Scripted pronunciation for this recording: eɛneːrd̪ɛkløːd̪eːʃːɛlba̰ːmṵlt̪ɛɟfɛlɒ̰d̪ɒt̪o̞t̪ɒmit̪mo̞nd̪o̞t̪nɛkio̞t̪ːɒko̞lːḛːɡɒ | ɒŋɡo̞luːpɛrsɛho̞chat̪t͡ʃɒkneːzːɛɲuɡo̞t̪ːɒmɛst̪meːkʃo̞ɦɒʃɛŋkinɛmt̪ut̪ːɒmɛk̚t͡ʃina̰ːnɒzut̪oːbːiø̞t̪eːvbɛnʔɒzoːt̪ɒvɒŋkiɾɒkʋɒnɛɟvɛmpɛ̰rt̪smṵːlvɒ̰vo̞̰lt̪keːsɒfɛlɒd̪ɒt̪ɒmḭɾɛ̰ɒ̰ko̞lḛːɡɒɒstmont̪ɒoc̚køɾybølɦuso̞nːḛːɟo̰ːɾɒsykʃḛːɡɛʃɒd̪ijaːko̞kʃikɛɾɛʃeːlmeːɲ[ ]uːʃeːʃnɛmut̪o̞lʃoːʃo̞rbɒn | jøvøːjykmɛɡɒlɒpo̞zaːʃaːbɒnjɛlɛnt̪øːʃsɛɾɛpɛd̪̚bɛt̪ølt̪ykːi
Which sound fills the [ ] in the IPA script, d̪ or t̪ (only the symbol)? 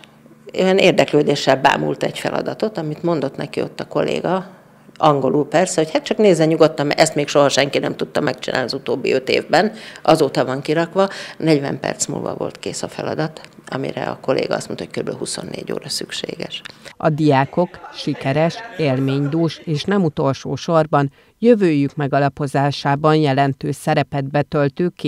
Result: d̪